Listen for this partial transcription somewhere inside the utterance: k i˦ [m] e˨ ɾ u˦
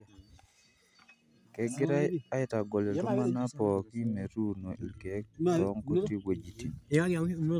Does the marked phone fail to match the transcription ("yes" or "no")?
no